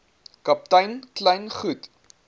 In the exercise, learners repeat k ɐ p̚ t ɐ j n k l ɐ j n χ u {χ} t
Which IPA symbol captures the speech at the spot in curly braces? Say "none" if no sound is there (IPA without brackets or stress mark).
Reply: none